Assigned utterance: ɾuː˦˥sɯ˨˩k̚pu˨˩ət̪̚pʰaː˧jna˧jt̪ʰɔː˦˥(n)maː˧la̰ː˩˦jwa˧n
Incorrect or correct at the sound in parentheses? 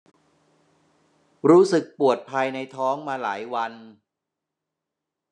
incorrect: ŋ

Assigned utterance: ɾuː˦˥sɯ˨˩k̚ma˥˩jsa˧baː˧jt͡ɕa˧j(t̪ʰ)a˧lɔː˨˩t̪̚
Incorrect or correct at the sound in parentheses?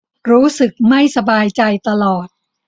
incorrect: t̪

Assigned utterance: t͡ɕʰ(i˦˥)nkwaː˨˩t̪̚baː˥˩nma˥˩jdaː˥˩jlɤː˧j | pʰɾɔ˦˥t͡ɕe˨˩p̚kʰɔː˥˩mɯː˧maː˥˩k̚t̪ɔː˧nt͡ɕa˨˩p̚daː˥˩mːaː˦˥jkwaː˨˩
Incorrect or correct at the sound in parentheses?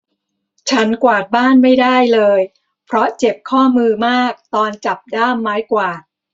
incorrect: a˦˥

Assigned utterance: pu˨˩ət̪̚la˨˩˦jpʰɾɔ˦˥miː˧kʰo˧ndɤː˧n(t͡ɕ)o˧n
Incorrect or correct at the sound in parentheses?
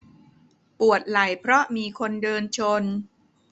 incorrect: t͡ɕʰ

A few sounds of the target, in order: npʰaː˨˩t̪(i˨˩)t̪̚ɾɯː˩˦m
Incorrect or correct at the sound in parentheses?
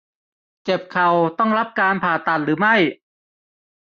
incorrect: a˨˩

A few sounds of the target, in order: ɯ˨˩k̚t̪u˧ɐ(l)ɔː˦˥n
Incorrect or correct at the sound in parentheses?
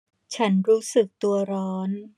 incorrect: ɾ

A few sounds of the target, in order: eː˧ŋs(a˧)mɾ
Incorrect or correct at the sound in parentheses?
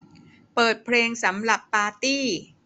incorrect: a˩˦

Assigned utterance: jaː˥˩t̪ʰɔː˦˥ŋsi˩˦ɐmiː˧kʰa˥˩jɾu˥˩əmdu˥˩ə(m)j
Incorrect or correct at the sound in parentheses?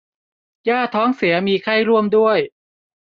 incorrect: none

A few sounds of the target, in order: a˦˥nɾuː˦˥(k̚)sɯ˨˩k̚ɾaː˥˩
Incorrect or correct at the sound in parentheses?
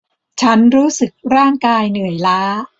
incorrect: none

